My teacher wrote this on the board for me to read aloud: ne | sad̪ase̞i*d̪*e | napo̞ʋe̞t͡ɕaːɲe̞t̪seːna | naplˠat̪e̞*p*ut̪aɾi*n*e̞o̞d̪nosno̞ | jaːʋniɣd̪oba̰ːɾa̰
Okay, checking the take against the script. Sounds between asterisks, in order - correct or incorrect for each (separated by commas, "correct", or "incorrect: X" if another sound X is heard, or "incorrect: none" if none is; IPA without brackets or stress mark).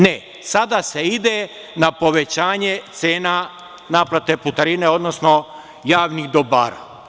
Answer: correct, correct, correct